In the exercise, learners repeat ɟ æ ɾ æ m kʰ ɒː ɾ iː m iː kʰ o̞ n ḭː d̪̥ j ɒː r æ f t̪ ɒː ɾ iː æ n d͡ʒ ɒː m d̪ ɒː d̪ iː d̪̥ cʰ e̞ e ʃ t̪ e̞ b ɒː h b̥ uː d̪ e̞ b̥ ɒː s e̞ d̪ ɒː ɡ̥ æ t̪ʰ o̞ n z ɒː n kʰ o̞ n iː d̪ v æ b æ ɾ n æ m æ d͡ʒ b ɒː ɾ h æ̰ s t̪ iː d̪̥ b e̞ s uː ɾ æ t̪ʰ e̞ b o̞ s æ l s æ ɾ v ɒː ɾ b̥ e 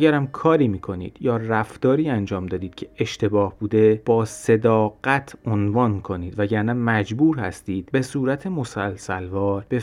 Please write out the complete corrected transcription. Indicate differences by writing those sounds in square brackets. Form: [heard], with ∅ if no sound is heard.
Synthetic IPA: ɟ æ ɾ æ m kʰ ɒː ɾ iː m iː kʰ o̞ n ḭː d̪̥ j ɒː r æ f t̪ ɒː ɾ iː æ n d͡ʒ ɒː m d̪ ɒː d̪ iː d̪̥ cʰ e̞ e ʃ t̪ e̞ b ɒː h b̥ uː d̪ e̞ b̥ ɒː s e̞ d̪ ɒː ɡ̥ æ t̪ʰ o̞ n [v] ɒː n kʰ o̞ n iː d̪ v æ [ɟ] æ ɾ n æ m æ d͡ʒ b [uː] ɾ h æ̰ s t̪ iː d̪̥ b e̞ s uː ɾ æ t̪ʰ e̞ [m] o̞ s æ l s æ [l] v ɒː ɾ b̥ e